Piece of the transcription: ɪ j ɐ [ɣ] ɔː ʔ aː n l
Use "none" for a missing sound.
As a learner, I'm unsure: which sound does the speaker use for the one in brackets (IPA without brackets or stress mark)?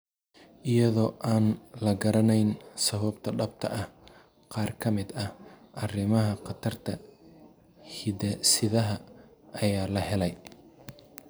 ð